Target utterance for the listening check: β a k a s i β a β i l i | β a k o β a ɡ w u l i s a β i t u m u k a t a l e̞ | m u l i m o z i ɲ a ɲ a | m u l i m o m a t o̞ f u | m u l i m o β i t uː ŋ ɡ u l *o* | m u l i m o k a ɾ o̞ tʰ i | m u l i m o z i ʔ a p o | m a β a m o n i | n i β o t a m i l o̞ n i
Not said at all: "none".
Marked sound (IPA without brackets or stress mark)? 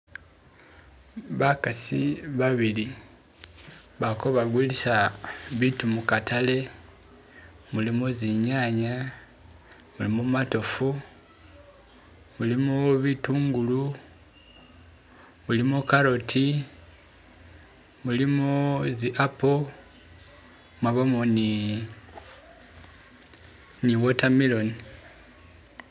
u